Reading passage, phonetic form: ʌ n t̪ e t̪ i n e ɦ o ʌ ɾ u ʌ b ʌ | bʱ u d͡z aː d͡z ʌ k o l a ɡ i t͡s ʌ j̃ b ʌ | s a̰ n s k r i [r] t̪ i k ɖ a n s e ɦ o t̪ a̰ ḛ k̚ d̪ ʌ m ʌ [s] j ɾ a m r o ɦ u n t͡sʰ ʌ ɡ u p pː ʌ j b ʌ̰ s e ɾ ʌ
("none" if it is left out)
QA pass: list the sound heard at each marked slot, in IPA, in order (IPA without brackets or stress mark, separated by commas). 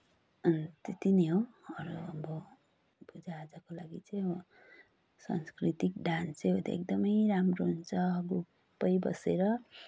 none, none